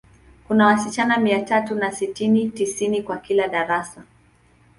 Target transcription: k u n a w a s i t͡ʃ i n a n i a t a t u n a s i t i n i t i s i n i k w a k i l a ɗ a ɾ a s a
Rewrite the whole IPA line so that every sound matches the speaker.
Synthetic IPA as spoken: k u n a w a s i t͡ʃ a n a m i a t a t u n a s i t i n i t i s i n i k w a k i l a ɗ a ɾ a s a

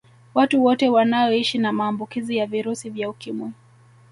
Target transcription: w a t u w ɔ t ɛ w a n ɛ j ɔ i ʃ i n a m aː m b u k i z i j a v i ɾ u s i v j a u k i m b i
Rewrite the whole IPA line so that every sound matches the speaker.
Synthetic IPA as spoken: w a t u w ɔ t ɛ w a n a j ɔ i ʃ i n a m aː m b u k i z i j a v i ɾ u s i v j a u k i m w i

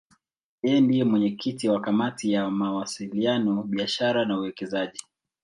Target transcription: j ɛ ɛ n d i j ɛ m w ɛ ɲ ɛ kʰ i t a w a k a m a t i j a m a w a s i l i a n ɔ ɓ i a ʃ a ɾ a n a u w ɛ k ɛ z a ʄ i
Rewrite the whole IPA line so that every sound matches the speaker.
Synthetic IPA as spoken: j ɛ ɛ n d i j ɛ m w ɛ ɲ ɛ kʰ i t i w a k a m a t i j a m a w a s i l i a n ɔ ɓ i a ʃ a ɾ a n a u w ɛ k ɛ z a ʄ i

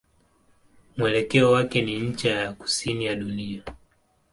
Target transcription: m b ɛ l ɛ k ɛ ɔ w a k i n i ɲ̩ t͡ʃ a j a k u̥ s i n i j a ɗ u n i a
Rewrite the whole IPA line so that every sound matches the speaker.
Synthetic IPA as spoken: m w ɛ l ɛ k ɛ ɔ w a k ɛ n i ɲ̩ t͡ʃ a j a k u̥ s i n i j a ɗ u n i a

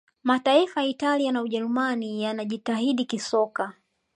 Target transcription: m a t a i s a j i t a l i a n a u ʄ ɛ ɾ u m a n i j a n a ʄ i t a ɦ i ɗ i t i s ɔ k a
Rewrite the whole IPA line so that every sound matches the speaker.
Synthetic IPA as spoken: m a t a i f a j i t a l i a n a u ʄ ɛ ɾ u m a n i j a n a ʄ i t a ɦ i ɗ i k i s ɔ k a

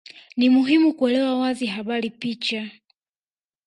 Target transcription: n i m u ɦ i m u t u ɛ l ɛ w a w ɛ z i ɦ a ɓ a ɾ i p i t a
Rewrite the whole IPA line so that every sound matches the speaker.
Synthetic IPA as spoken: n i m u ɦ i m u k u ɛ l ɛ w a w a z i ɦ a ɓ a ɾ i p i t͡ʃ a

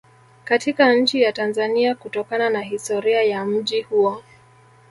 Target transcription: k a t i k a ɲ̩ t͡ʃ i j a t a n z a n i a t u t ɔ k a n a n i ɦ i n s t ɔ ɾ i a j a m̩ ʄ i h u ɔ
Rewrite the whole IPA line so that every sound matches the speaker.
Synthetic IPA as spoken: k a t i k a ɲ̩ t͡ʃ i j a t a n z a n i a k u t ɔ k a n a n a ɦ i s t ɔ ɾ i a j a m̩ ʄ i h u ɔ

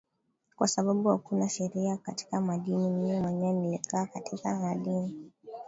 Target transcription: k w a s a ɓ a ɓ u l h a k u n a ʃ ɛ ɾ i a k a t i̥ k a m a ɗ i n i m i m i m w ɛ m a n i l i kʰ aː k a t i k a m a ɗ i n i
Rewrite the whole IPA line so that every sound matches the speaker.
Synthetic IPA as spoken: k w a s a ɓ a ɓ u h a k u n a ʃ ɛ ɾ i a k a t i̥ k a m a ɗ i n i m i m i m w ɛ ɲ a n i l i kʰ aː k a t i k a m a ɗ i n i

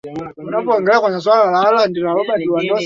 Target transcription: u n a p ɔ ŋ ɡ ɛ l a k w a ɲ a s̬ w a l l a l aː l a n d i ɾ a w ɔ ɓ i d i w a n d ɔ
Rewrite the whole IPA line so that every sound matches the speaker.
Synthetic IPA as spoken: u n a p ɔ ŋ ɡ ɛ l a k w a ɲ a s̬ w a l l a l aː l a n d i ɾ a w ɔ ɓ a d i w a n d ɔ

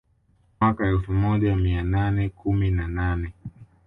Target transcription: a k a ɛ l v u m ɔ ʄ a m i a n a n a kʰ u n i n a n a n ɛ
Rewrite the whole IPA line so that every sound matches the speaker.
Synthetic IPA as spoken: a k a ɛ l f u m ɔ ʄ a m i a n a n ɛ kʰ u m i n a n a n ɛ

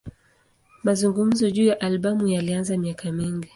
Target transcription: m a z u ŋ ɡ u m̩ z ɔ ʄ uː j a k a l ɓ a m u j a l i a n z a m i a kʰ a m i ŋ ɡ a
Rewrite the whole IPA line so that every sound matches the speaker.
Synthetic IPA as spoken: m a z u ŋ ɡ u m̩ z ɔ ʄ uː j a ʔ a l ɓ a m u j a l i a n z a m i a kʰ a m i ŋ ɡ i

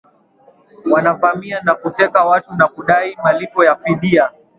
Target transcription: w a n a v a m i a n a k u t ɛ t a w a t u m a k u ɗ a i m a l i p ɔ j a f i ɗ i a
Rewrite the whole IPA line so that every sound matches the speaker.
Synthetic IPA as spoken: w a n a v a m i a n a k u t ɛ k a w a t u n a k u ɗ a i m a l i p ɔ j a f i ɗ i a

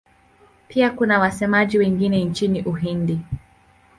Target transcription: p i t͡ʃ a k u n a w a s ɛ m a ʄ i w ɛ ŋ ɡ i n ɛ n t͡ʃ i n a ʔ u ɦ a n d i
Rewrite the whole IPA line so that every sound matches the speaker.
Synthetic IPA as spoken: p i a k u n a w a s ɛ m a ʄ i w ɛ ŋ ɡ i n ɛ n t͡ʃ i n i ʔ u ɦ i n d i

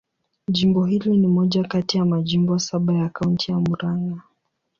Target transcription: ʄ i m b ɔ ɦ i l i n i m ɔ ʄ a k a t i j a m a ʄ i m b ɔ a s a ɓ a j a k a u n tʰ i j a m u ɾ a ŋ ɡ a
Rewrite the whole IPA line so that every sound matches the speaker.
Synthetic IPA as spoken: ʄ i m b ɔ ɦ i l i n i m ɔ ʄ a k a t i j a m a ʄ i m b ɔ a s a ɓ a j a k a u n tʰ i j a m u ɾ a ŋ ɡ a

